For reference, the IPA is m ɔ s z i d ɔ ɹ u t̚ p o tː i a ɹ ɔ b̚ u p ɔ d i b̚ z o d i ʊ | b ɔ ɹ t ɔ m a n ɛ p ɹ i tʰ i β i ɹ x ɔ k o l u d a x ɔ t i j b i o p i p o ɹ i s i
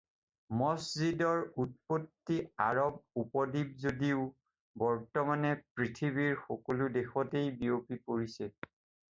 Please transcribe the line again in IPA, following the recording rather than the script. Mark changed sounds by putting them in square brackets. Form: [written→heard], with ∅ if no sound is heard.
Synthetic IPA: m ɔ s z i d ɔ ɹ u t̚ p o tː i a ɹ ɔ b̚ u p ɔ d i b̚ z o d i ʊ | b ɔ ɹ t ɔ m a n ɛ p ɹ i tʰ i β i ɹ x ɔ k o l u d [a→e] x ɔ t [i→e] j b i o p i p o ɹ i s [i→ɛ]